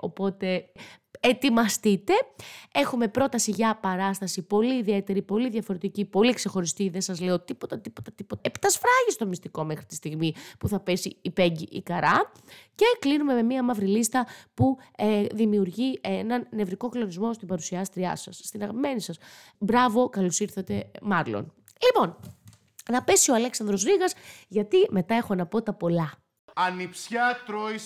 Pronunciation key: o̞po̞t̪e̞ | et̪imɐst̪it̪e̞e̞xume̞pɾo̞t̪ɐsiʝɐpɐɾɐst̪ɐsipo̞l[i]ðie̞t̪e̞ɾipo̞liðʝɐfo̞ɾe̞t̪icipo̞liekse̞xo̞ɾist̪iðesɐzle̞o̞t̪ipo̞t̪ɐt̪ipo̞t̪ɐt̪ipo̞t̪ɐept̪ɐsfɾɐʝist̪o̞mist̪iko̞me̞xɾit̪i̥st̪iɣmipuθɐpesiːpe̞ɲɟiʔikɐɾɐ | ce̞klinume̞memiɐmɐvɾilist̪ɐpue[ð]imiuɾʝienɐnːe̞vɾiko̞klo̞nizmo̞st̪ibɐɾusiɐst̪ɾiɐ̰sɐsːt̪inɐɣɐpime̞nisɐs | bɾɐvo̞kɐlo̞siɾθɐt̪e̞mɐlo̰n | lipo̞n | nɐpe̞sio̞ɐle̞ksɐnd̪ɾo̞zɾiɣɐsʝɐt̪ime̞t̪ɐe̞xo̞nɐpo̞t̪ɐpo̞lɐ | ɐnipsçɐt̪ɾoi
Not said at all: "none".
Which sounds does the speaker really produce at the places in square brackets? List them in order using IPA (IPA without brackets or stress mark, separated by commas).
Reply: iː, ð